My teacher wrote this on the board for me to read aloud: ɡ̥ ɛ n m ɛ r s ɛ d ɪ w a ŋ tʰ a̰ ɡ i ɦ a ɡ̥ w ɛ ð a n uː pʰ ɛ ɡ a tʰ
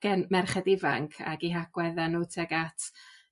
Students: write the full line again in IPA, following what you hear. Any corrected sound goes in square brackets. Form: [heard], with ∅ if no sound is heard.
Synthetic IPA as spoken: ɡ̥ ɛ n m ɛ r [χ] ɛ d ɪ [v] a ŋ [kʰ] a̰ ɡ i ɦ a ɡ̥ w ɛ ð a n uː [tʰ] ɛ ɡ a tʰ